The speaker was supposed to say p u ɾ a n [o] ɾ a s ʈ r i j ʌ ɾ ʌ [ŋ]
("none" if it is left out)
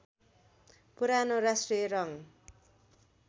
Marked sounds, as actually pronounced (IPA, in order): o, ŋ

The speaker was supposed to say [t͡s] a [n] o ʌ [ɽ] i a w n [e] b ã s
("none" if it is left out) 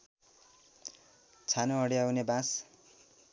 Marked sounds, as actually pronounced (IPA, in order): t͡sʰ, n, ɽ, e

